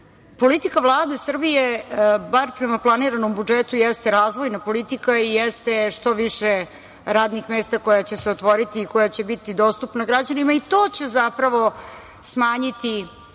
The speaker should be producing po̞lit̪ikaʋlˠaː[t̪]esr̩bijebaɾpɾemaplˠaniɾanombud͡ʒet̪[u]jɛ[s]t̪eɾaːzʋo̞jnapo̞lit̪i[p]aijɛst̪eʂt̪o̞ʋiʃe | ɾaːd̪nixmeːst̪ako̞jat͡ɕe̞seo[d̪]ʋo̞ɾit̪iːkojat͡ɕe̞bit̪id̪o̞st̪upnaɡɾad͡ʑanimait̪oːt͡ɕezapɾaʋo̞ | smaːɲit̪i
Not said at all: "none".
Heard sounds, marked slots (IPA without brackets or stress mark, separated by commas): d̪, u, s, k, t̪